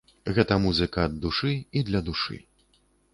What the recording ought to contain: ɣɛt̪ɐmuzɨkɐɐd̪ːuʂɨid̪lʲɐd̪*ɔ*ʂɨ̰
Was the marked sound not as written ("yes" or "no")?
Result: yes